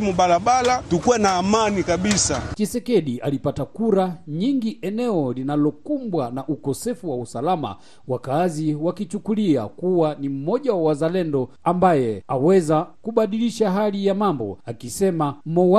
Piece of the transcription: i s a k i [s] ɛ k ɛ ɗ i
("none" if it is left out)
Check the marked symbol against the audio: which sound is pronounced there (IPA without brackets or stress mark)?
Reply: s